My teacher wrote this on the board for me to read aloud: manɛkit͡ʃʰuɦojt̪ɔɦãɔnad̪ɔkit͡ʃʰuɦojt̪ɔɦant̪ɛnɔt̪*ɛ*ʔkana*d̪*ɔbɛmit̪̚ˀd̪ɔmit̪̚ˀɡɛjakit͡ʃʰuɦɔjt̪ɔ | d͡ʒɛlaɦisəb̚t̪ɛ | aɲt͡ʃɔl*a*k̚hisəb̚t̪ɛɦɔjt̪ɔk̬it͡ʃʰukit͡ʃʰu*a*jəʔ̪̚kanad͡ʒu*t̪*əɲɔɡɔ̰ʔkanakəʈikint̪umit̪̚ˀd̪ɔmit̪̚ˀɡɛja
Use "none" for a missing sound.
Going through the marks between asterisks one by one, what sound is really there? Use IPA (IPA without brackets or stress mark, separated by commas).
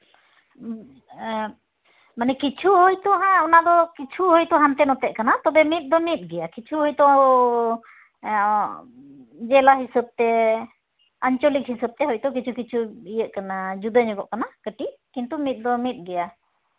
ɛ, t̪, i, i, d̪